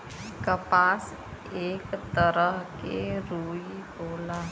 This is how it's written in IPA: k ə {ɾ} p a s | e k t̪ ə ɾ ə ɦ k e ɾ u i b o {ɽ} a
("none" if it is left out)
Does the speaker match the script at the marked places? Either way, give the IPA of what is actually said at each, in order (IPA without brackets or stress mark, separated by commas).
none, l